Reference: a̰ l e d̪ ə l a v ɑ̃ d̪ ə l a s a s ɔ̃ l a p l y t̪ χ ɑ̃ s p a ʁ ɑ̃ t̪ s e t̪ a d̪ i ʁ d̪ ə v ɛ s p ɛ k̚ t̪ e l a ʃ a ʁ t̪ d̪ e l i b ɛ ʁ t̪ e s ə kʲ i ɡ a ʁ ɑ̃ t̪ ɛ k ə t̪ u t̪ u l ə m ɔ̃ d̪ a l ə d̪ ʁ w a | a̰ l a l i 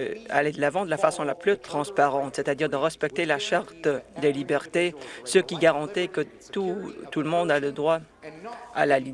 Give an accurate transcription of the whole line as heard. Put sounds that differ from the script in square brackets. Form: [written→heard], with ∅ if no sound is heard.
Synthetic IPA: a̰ l e d̪ ə l a v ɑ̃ d̪ ə l a [s→f] a s ɔ̃ l a p l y t̪ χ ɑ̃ s p a ʁ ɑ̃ t̪ s e t̪ a d̪ i ʁ d̪ ə [v→ʁ] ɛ s p ɛ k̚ t̪ e l a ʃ a ʁ t̪ d̪ e l i b ɛ ʁ t̪ e s ə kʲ i ɡ a ʁ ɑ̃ t̪ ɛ k ə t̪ u t̪ u l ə m ɔ̃ d̪ a l ə d̪ ʁ w a | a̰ l a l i